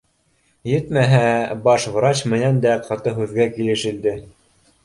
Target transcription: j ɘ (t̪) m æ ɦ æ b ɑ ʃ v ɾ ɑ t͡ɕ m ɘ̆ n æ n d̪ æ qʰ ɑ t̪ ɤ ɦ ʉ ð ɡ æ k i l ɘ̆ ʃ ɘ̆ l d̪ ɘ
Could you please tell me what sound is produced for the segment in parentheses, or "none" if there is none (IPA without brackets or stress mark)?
t̪